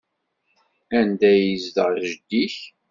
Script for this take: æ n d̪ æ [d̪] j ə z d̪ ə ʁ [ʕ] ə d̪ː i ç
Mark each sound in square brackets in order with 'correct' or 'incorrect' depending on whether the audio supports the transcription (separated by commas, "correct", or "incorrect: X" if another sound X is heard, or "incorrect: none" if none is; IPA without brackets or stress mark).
incorrect: none, incorrect: ʒ